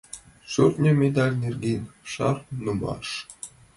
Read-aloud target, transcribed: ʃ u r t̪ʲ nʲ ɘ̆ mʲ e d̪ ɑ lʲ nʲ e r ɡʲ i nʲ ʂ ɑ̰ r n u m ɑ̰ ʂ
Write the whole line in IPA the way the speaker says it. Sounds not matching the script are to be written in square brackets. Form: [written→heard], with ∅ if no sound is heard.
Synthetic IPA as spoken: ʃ u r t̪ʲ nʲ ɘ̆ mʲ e d̪ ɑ lʲ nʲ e r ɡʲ i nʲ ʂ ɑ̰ r n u m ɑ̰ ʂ